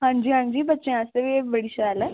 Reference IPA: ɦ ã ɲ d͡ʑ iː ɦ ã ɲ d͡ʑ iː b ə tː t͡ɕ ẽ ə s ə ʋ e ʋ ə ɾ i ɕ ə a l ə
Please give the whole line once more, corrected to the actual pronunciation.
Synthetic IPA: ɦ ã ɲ d͡ʑ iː ɦ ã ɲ d͡ʑ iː b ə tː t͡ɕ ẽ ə s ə ʋ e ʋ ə ɽ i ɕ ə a l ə